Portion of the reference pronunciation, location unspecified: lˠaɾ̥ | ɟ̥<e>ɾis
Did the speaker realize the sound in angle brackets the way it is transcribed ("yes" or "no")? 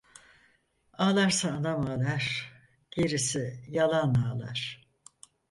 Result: yes